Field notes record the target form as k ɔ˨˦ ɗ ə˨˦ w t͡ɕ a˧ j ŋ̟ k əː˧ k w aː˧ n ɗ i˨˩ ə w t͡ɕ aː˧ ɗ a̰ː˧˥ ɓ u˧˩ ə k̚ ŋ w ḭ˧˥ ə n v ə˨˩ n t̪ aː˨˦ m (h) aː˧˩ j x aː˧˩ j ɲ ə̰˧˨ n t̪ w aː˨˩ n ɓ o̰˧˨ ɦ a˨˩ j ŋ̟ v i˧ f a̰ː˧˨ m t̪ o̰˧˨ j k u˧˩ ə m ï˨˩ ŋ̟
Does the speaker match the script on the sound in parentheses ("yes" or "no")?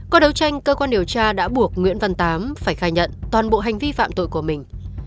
no